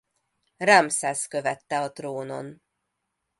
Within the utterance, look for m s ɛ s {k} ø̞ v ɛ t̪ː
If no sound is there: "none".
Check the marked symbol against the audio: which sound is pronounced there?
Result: k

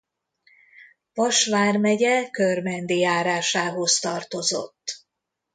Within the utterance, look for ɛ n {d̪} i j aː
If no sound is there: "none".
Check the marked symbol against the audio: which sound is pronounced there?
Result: d̪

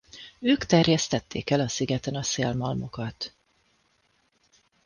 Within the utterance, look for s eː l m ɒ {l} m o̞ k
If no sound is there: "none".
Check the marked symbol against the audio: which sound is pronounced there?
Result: l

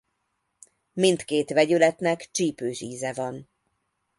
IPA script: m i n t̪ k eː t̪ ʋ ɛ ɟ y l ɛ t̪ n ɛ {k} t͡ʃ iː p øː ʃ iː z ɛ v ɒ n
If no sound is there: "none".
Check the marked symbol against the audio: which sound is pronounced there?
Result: k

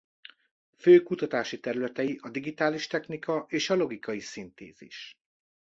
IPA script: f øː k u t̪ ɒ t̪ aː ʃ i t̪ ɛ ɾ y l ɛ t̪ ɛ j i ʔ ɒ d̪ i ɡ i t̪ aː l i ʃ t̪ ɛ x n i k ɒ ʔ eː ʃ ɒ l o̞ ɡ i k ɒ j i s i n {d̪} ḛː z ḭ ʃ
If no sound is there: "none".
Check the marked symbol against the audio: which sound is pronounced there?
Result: t̪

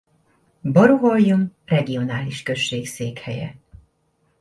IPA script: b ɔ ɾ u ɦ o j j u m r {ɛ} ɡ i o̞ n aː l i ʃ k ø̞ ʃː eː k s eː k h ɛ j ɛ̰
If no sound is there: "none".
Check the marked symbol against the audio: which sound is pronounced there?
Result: ɛ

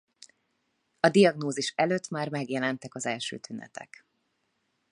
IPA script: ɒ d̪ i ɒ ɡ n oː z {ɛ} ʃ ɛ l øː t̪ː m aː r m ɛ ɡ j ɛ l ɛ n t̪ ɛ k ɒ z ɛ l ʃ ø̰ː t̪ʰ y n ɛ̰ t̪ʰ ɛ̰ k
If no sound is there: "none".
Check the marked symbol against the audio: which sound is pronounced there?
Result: i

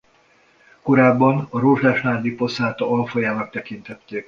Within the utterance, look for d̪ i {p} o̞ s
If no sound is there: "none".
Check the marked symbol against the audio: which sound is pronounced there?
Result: p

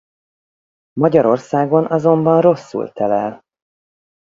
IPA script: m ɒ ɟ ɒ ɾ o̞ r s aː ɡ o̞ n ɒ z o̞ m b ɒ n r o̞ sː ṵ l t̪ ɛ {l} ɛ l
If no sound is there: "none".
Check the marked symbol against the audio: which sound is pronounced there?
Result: l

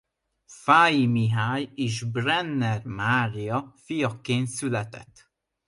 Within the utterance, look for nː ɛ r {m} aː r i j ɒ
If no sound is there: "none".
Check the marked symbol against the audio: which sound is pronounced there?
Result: m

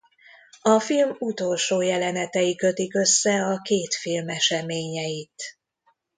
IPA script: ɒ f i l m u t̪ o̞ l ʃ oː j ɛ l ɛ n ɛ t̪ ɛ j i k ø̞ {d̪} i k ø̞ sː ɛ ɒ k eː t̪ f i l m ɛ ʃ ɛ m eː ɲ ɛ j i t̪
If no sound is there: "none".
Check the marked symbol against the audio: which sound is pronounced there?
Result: t̪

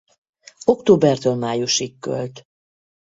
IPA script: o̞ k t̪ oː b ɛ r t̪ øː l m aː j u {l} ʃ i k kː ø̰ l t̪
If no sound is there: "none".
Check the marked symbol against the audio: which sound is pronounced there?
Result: none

